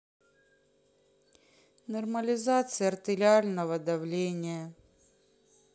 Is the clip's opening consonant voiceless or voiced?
voiced